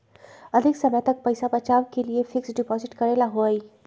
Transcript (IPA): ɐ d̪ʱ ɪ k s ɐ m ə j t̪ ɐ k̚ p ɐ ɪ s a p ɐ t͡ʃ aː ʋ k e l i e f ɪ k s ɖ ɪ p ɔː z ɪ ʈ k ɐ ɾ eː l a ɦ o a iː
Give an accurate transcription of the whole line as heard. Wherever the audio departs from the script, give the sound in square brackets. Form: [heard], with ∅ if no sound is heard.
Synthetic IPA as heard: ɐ d̪ʱ ɪ k s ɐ m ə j t̪ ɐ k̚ p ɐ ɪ s a p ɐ t͡ʃ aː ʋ k e l i e f ɪ k s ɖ ɪ p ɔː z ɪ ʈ k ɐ ɾ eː l a ɦ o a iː

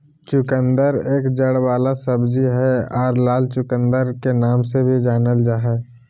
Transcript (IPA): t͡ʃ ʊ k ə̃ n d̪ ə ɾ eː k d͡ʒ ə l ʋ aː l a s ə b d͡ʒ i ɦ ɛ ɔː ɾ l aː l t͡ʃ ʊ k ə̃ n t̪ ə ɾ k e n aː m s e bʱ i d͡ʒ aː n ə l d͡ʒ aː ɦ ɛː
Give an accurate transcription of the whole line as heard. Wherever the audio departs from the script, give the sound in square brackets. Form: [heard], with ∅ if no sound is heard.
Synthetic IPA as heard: t͡ʃ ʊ k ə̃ n d̪ ə ɾ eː k d͡ʒ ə [ɽ] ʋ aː l a s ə b d͡ʒ i ɦ ɛ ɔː ɾ l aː l t͡ʃ ʊ k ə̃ n [d̪] ə ɾ k e n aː m s e bʱ i d͡ʒ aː n ə l d͡ʒ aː ɦ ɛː

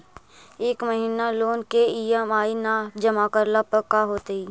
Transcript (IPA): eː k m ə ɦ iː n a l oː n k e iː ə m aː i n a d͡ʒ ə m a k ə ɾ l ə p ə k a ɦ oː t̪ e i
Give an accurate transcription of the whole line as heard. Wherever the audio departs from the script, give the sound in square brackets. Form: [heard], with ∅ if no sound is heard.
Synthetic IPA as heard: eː k m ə ɦ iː n a l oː n k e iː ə m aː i n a d͡ʒ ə m a k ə ɾ l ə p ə k a ɦ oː t̪ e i

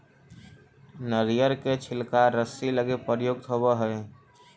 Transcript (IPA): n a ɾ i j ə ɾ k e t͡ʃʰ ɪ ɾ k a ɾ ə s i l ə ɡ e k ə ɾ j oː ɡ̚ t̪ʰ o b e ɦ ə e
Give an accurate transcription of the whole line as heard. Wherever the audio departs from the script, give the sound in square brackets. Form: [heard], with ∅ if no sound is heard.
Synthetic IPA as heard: n [ə] ɾ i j ə ɾ k e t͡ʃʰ ɪ [l] k a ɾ ə s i l ə ɡ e [p] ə ɾ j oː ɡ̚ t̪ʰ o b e ɦ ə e

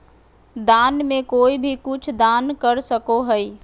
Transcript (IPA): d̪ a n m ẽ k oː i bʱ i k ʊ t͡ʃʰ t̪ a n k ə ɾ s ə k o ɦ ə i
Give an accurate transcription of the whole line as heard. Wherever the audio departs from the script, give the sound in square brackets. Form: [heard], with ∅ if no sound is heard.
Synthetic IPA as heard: d̪ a n m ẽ k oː i bʱ i k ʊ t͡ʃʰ [d̪] a n k ə ɾ s ə k o ɦ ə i

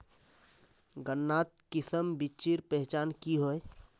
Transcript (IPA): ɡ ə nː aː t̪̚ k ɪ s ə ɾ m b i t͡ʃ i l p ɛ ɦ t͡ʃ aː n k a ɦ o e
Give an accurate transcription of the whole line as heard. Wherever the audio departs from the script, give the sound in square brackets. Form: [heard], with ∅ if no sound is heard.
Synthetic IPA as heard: ɡ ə nː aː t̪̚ k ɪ s ə [∅] m b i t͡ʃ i [ɾ] p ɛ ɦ t͡ʃ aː n k [i] ɦ o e

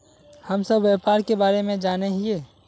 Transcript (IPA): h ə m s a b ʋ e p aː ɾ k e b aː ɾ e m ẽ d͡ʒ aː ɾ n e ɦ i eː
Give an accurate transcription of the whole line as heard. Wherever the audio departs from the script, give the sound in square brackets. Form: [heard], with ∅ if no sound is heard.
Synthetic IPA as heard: h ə m s [ə] b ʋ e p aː ɾ k e b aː ɾ e m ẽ d͡ʒ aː [∅] n e ɦ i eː

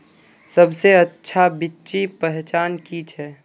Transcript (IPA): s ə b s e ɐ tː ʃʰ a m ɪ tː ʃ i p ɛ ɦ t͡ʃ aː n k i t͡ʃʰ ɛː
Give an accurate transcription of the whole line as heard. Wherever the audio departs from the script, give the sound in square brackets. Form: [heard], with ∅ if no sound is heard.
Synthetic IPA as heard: s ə b s e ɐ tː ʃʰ a [b] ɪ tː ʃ i p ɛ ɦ t͡ʃ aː n k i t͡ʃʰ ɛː

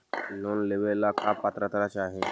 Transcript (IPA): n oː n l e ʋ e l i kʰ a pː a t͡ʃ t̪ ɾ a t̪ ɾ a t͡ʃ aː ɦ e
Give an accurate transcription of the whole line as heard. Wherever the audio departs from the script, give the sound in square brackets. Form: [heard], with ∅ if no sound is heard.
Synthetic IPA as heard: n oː n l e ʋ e l [a] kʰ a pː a [∅] t̪ ɾ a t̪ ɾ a t͡ʃ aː ɦ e

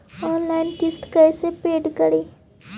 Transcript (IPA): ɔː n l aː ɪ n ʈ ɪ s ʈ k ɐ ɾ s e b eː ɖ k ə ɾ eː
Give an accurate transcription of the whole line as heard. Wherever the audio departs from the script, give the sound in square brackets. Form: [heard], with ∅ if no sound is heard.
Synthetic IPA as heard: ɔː n l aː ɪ n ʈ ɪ s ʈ k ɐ [∅] s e [p] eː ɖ k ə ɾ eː

